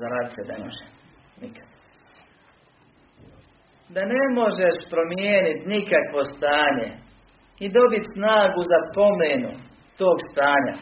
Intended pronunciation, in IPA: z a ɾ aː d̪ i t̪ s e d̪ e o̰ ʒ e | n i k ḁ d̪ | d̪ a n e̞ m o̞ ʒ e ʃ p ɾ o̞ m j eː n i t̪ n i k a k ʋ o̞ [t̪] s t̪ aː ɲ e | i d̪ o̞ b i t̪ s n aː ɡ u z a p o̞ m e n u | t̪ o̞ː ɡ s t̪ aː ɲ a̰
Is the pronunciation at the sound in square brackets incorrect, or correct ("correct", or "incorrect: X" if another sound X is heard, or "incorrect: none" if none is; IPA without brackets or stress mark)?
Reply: incorrect: none